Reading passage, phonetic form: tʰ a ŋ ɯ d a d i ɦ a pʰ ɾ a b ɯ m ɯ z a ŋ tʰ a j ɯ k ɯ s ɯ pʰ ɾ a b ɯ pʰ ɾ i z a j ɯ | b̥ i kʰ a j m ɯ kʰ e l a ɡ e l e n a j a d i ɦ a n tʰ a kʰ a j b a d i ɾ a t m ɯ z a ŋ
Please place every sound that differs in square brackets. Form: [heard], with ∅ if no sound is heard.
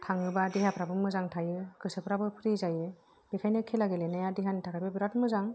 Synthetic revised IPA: tʰ a ŋ ɯ [b] a d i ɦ a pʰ ɾ a b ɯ m ɯ z a ŋ tʰ a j ɯ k ɯ s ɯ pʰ ɾ a b ɯ pʰ ɾ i z a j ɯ | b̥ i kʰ a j [n] ɯ kʰ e l a ɡ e l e n a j a d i ɦ a n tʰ a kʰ a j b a [b] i ɾ a t m ɯ z a ŋ